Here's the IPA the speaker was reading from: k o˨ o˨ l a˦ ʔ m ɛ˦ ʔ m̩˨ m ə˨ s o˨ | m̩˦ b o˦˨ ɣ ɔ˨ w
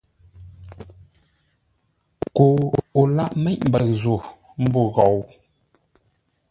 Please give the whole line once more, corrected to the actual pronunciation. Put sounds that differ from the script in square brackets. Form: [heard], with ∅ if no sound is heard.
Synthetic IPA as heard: k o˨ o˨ l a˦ ʔ m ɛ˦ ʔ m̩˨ [b] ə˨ [z] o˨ | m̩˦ b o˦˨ ɣ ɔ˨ w